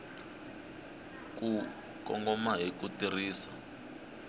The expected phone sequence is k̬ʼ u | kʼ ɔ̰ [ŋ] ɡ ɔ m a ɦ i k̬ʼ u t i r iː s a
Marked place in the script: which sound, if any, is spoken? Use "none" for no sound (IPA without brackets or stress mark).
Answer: ŋ